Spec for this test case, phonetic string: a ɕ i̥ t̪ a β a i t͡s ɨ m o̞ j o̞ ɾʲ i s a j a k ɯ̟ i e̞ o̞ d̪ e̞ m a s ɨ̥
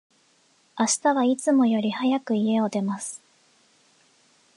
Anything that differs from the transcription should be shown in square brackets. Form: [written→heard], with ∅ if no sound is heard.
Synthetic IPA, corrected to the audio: a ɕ i̥ t̪ a β a i t͡s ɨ m o̞ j o̞ ɾʲ i [s→h] a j a k ɯ̟ i e̞ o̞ d̪ e̞ m a s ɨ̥